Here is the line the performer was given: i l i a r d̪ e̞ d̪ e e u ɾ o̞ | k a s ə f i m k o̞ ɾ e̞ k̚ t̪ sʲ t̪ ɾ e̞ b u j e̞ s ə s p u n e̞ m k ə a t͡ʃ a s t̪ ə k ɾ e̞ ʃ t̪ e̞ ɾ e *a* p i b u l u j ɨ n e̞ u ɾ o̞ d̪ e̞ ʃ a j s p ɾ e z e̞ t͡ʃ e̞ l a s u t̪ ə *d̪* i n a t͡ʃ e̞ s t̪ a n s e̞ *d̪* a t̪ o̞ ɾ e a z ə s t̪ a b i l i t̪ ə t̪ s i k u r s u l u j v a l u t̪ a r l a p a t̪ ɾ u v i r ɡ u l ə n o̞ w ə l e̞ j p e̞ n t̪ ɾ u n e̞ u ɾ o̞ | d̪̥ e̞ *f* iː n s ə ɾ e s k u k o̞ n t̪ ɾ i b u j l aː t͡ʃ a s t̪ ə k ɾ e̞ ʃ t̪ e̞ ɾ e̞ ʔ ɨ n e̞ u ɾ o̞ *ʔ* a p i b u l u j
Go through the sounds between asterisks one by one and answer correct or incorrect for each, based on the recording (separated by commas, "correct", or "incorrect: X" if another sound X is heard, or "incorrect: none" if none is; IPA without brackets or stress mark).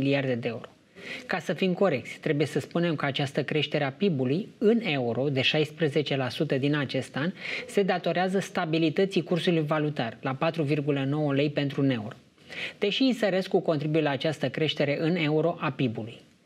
correct, correct, correct, incorrect: ʃ, correct